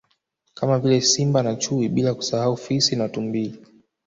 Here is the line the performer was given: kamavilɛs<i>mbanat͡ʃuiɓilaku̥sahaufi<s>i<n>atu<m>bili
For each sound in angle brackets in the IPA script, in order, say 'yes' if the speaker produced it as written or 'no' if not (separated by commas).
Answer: yes, yes, yes, yes